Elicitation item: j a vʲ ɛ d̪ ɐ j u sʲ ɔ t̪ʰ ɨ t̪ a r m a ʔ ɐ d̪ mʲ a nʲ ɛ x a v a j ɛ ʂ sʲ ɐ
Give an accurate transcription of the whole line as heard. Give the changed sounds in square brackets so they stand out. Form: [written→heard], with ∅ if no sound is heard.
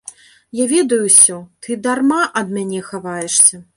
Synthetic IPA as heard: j a vʲ ɛ d̪ ɐ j u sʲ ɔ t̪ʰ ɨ [t̪→d̪] a r m a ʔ ɐ d̪ mʲ a nʲ ɛ x a v a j ɛ ʂ sʲ ɐ